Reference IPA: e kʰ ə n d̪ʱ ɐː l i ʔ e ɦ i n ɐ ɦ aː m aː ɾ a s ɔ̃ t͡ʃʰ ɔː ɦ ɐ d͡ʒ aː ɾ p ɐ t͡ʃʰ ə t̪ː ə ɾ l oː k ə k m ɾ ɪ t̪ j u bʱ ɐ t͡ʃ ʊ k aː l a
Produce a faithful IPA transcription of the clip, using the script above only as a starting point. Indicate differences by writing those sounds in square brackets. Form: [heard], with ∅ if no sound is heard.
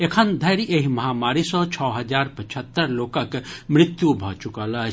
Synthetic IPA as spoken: e kʰ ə n d̪ʱ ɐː [ɾ] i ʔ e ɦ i [m] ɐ ɦ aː m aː ɾ [i] s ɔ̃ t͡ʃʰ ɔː ɦ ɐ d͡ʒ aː ɾ p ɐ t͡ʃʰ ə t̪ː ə ɾ l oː k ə k m ɾ ɪ t̪ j u bʱ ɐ t͡ʃ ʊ k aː l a